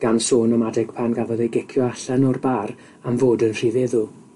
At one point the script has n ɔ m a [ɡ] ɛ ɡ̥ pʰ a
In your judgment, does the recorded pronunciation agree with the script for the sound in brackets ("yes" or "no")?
no